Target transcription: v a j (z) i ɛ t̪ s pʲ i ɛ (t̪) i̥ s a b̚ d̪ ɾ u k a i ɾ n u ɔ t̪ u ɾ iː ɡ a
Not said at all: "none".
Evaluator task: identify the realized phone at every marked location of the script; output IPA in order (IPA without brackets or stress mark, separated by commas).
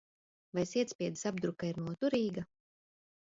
s, d̪